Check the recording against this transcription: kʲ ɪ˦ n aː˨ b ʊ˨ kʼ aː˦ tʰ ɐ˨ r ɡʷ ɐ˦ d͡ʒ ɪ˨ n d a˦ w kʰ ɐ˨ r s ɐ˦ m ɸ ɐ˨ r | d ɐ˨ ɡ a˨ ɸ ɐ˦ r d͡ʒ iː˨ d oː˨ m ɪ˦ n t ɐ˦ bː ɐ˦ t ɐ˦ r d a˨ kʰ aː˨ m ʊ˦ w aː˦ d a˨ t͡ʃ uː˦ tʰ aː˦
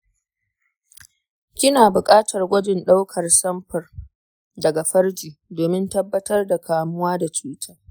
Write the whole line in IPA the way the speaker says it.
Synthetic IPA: kʲ ɪ˦ n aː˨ b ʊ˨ kʼ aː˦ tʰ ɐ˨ r ɡʷ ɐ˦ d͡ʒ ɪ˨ n ɗ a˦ w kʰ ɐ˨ r s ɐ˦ m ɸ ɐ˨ r | d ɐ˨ ɡ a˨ ɸ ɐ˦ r d͡ʒ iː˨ d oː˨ m ɪ˦ n t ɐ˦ bː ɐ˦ t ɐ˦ r d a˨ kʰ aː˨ m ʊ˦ w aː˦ d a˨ t͡ʃ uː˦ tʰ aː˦